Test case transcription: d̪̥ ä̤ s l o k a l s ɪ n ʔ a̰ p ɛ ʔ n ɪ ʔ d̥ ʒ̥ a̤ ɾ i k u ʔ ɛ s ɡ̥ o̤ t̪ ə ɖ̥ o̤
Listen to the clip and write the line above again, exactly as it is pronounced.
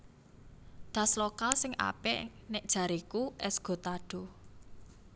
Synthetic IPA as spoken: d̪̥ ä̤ s l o k a l s ɪ ŋ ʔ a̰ p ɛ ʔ n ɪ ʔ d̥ ʒ̥ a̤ ɾ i k u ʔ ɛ s ɡ̥ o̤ t̪ a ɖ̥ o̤